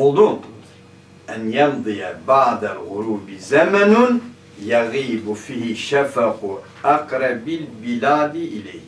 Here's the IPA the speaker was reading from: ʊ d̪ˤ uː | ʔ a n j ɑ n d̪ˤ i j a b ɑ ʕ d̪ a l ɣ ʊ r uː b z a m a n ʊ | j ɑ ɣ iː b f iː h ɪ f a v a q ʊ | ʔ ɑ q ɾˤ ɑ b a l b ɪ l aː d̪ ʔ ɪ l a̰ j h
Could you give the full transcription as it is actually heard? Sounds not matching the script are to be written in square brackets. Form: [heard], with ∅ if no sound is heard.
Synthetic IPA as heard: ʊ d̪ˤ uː | ʔ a n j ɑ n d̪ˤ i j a b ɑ ʕ d̪ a l ɣ ʊ [ɾ] uː b z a m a n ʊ | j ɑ ɣ iː b f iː h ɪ [ʃ] a [f] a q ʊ | ʔ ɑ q ɾˤ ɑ b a l b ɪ l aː d̪ ʔ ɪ l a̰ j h